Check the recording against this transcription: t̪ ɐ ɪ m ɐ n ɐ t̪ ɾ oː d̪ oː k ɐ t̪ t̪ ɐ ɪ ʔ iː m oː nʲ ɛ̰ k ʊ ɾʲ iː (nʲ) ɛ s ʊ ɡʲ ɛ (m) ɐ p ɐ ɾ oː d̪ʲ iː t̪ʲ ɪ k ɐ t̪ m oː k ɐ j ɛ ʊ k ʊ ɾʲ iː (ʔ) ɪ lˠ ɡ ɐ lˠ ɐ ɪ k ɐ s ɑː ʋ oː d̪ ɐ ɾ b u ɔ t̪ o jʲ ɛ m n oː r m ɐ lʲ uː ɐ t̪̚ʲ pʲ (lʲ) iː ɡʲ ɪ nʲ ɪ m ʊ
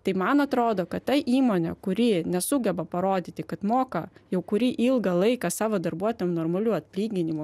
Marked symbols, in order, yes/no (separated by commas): yes, no, yes, yes